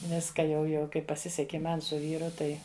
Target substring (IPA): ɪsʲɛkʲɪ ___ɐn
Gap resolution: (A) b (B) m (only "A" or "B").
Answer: B